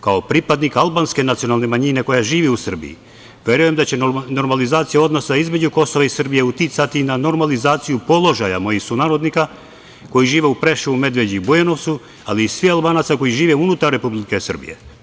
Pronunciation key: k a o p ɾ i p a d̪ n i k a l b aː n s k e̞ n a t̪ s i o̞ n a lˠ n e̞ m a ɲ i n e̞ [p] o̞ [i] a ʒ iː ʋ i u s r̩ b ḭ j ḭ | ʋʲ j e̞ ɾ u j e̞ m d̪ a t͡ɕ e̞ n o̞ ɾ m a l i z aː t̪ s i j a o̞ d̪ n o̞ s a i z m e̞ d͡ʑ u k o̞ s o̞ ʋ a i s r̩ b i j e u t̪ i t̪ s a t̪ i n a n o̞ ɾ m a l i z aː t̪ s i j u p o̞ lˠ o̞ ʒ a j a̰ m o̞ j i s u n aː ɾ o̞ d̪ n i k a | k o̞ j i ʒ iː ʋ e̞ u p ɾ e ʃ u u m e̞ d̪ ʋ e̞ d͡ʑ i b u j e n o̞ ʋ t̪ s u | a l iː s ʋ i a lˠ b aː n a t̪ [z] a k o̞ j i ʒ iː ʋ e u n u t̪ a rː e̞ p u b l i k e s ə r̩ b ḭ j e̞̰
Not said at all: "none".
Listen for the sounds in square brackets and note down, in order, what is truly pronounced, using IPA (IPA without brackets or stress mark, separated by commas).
k, j, s